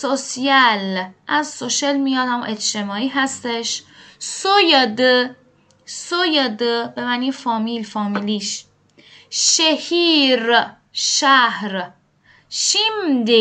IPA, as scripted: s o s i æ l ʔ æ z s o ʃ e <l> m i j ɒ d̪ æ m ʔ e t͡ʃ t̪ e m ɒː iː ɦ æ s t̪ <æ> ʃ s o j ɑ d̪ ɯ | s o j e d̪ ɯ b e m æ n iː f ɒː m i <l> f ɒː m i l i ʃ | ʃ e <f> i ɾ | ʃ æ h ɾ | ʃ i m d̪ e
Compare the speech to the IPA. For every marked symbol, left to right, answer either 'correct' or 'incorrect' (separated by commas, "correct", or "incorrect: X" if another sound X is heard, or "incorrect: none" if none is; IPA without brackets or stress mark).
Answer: correct, incorrect: e, correct, incorrect: h